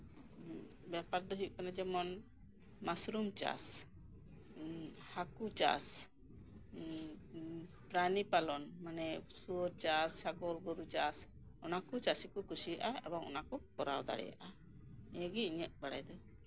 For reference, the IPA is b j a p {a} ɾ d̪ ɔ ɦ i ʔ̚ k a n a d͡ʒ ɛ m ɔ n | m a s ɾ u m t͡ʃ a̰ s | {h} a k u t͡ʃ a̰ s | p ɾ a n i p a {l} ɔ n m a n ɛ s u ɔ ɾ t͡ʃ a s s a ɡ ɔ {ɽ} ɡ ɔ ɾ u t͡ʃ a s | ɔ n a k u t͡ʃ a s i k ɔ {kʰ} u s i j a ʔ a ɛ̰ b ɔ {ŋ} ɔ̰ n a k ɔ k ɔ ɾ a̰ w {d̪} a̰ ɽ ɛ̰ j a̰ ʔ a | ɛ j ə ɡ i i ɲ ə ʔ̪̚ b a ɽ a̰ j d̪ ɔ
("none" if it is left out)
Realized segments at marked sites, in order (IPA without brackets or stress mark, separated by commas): a, h, l, l, k, ŋ, d̪